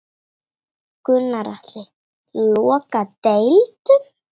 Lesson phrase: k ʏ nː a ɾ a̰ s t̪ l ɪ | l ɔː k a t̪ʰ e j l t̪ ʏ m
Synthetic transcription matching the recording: k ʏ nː a ɾ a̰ h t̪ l ɪ | l ɔː k a t̪ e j l t̪ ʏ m